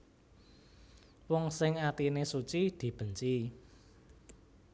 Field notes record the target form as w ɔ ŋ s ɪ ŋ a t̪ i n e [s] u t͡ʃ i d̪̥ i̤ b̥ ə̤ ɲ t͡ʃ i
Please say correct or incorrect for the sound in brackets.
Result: correct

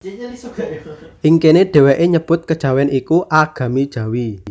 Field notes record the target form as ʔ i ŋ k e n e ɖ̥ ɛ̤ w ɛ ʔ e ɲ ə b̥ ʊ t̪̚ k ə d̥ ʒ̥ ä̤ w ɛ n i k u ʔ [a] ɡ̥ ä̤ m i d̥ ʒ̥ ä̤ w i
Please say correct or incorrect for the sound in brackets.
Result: correct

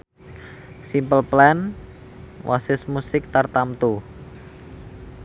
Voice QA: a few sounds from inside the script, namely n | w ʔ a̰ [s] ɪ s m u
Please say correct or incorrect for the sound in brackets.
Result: correct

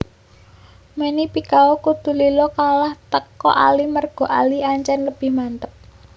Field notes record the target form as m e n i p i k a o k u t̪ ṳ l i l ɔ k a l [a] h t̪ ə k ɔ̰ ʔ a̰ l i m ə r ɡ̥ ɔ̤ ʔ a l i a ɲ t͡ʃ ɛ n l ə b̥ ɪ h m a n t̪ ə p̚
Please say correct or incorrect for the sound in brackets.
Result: correct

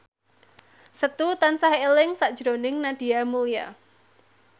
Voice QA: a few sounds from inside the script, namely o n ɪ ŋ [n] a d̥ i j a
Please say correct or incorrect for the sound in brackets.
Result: correct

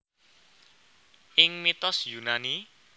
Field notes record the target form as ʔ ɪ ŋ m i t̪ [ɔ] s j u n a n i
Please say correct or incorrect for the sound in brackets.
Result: correct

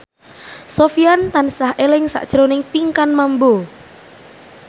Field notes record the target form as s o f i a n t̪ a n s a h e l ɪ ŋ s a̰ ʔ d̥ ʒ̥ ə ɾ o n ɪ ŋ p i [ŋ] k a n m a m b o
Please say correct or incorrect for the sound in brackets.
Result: correct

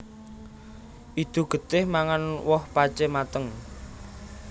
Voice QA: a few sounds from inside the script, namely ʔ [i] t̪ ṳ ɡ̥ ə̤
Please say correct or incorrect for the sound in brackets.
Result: correct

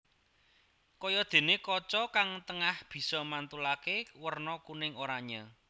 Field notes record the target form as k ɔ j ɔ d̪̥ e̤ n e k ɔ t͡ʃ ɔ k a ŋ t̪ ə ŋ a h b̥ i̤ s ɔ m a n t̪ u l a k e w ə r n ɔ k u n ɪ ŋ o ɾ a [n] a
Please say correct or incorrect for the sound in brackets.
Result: incorrect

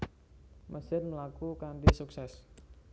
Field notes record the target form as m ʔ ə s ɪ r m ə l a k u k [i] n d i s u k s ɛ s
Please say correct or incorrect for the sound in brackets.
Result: incorrect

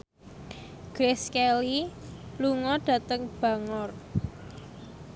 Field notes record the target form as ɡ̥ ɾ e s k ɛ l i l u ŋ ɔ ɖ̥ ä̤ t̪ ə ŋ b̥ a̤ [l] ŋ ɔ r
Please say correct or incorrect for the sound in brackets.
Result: incorrect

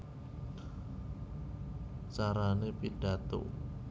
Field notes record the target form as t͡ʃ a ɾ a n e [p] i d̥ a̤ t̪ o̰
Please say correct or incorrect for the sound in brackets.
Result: correct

